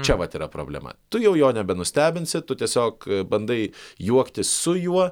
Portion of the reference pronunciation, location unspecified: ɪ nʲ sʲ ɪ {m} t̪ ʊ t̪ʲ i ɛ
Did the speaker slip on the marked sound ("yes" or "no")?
yes